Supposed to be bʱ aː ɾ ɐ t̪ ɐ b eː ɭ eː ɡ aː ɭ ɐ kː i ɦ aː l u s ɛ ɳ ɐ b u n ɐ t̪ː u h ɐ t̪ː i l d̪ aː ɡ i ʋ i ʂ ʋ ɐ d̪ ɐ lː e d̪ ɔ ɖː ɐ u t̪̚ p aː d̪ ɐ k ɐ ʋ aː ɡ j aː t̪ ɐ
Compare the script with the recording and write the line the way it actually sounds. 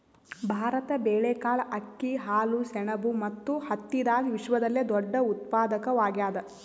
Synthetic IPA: bʱ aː ɾ ɐ t̪ ɐ b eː ɭ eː k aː ɭ ɐ kː i ɦ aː l u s ɛ ɳ ɐ b u m ɐ t̪ː u h ɐ t̪ː i d̪ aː ɡ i ʋ i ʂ ʋ ɐ d̪ ɐ lː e d̪ ɔ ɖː ɐ u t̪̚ p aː d̪ ɐ k ɐ ʋ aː ɡ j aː d̪ ɐ